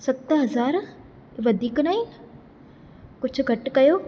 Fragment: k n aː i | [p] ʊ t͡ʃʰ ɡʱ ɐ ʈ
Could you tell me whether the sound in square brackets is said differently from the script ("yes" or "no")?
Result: yes